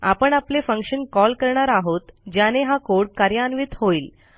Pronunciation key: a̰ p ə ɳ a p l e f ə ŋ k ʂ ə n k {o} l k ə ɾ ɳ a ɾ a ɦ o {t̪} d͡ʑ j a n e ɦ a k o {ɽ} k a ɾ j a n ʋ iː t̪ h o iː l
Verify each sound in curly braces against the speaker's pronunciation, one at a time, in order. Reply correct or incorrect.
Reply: incorrect, correct, correct

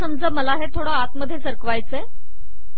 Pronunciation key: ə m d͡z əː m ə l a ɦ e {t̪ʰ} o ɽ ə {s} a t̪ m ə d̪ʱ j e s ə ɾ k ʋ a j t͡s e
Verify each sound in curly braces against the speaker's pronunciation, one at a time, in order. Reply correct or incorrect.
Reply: correct, incorrect

